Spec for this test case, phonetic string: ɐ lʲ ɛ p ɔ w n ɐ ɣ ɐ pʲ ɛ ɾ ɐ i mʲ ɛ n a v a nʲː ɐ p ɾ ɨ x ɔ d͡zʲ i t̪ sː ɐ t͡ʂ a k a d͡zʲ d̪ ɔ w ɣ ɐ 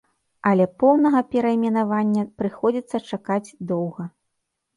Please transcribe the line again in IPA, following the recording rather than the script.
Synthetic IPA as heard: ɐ lʲ ɛ p ɔ w n ɐ ɣ ɐ pʲ ɛ ɾ ɐ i mʲ ɛ n a v a nʲː ɐ p ɾ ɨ x ɔ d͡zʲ i t̪ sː ɐ t͡ʂ a k a d͡zʲ d̪ ɔ w ɣ ɐ